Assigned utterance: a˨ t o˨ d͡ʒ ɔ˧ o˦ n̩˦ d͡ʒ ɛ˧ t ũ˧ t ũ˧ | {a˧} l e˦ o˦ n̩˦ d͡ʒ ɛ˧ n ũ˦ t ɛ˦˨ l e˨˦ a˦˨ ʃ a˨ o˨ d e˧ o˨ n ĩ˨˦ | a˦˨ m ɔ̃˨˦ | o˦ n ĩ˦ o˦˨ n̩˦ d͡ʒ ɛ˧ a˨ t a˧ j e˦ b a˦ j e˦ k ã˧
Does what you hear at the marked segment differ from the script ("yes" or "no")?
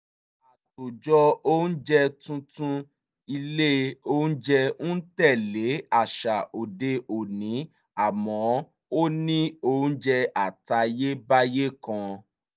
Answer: yes